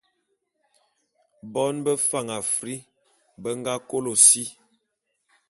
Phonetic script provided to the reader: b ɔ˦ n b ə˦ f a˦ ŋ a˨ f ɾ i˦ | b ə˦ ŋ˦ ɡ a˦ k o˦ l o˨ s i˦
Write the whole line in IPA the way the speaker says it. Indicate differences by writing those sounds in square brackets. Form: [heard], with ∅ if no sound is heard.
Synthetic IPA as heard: b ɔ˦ n b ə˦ f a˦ ŋ a˨ f ɾ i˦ | b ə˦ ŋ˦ ɡ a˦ k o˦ l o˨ s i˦

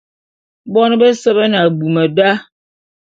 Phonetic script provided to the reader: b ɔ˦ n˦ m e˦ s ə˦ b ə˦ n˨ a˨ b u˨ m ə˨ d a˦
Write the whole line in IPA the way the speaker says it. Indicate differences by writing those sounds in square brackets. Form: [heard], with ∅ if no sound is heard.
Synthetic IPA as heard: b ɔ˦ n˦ [b] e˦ s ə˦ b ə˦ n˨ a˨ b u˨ m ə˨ d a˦

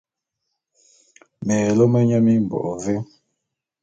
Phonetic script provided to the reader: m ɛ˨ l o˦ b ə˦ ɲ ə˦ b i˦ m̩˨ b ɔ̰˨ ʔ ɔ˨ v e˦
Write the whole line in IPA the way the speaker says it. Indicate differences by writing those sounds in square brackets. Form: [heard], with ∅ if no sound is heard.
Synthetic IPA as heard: m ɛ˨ l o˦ [m] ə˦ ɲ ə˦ [m] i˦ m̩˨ b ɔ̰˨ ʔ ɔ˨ v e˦

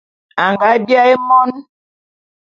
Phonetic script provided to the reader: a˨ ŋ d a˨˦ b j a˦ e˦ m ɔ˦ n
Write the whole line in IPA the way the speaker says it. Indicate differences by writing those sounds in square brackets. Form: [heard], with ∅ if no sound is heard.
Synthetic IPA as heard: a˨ ŋ [ɡ] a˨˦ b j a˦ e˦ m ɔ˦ n

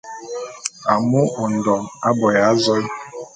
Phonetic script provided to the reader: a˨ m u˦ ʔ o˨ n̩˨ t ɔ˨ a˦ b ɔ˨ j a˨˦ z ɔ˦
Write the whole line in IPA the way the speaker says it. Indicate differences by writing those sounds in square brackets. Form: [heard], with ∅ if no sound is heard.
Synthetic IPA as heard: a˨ m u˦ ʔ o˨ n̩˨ [d] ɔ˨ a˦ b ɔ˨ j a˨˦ z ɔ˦

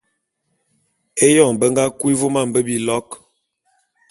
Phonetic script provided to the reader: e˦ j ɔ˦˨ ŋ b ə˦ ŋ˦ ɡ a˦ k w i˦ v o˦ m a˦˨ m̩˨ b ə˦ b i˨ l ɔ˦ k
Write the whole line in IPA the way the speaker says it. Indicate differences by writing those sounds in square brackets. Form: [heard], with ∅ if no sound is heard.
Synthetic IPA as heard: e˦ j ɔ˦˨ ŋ b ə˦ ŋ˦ ɡ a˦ k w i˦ v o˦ m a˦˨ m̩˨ b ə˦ b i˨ l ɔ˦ k

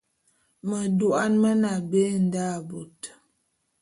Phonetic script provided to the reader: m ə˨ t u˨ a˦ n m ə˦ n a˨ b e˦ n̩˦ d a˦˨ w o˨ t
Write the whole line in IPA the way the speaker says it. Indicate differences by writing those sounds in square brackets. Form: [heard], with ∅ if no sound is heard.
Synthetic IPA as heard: m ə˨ [d] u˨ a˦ n m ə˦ n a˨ b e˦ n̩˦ d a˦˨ [b] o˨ t

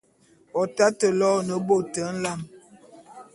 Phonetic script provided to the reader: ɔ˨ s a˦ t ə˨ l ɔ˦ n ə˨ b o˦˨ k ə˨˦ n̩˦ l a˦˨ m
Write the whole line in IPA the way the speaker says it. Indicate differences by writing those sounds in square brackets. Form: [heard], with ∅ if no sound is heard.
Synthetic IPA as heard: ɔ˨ [t] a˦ t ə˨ l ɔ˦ n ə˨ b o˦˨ [t] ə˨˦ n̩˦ l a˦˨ m

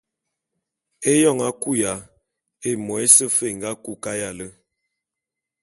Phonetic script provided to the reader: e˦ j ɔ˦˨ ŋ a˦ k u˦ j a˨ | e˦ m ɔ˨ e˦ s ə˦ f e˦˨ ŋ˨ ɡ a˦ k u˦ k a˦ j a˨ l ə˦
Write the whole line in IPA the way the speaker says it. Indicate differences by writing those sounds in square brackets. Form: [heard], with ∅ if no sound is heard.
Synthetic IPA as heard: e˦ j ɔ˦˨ ŋ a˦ k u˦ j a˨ | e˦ m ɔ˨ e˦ s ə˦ f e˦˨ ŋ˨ ɡ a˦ k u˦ k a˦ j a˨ l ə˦

